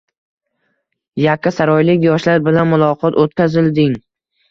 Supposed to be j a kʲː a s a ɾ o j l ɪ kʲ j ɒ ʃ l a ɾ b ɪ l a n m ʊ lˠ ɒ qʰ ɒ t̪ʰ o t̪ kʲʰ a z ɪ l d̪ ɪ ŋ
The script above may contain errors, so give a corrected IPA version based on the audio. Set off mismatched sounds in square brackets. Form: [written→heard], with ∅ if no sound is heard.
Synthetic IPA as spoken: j a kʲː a s a ɾ [o→ɒ] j l ɪ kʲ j ɒ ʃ l a ɾ b ɪ l a n m ʊ lˠ ɒ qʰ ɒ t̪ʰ o t̪ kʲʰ a z ɪ l d̪ ɪ ŋ